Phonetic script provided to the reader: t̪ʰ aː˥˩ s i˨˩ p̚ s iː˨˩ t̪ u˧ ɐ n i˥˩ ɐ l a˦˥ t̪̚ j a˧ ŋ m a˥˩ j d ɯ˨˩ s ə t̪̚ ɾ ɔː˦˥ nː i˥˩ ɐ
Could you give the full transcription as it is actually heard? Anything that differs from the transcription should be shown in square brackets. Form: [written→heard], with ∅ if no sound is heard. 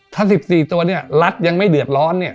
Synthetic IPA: t̪ʰ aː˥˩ s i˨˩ p̚ s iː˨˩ t̪ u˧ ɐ n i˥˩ ɐ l a˦˥ t̪̚ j a˧ ŋ m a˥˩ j d ɯ˨˩ [s→∅] ə t̪̚ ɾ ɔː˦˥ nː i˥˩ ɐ